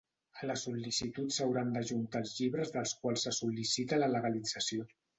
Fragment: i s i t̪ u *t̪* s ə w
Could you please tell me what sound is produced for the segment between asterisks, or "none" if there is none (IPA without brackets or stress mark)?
t̪